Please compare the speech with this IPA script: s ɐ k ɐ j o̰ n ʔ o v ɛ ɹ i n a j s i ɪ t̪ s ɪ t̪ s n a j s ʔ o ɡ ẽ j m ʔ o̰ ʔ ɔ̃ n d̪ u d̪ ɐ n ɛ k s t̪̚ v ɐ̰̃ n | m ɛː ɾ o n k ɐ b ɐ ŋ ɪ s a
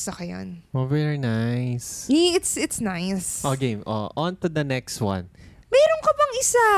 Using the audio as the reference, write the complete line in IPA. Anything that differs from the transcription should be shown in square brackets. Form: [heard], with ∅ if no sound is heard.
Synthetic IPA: s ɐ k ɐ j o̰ n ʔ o v ɛ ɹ i n a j s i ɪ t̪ s ɪ t̪ s n a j s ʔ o ɡ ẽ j m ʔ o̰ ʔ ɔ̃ n [t̪] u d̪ ɐ n ɛ k s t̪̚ [w] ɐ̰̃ n | m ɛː ɾ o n k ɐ b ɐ ŋ ɪ s a